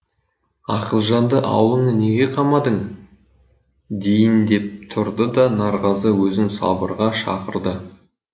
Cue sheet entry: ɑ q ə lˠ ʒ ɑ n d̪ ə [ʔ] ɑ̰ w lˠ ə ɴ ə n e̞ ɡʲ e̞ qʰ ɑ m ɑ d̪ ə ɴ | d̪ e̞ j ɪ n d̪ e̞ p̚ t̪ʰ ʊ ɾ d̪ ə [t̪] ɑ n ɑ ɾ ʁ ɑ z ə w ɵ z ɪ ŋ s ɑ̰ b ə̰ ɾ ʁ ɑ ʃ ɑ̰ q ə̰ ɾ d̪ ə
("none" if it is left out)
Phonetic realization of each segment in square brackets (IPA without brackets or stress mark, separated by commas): ʔ, d̪